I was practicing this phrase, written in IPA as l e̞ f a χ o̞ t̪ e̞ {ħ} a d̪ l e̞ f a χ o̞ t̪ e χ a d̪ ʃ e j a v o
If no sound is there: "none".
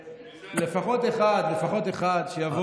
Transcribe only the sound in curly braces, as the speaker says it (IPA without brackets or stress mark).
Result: χ